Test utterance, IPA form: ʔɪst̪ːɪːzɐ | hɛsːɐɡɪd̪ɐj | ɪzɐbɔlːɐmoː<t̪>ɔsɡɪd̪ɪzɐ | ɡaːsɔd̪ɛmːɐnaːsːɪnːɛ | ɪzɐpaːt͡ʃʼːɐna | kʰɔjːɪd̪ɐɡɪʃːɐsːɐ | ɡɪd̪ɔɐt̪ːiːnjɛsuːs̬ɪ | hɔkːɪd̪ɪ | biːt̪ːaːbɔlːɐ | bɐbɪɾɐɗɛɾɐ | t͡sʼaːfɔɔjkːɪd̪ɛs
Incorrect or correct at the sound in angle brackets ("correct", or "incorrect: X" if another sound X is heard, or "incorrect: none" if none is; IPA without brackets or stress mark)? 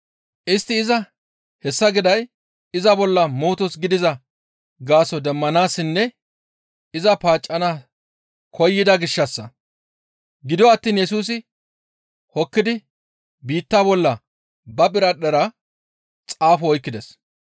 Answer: correct